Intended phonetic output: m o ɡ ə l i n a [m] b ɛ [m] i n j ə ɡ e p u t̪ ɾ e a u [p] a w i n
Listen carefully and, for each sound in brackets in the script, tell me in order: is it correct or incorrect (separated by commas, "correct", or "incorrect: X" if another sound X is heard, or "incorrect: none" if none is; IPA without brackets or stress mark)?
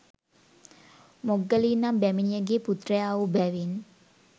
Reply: correct, correct, incorrect: b